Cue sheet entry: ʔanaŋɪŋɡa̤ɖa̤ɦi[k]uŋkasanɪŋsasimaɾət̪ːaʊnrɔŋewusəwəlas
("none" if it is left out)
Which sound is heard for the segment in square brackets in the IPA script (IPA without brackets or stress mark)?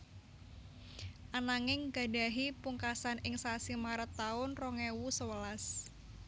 p